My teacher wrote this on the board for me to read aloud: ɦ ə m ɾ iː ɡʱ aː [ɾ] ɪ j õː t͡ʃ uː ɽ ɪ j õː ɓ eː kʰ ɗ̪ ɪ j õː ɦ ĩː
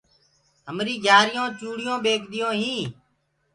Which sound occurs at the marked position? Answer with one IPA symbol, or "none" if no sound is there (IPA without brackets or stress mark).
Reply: ɾ